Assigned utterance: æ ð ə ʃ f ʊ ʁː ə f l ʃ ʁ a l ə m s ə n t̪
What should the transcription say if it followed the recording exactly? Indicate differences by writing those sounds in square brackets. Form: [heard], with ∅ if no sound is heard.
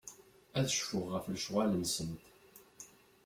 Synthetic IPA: æ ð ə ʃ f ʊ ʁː ə f l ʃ ʁ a l ə [n] s ə n t̪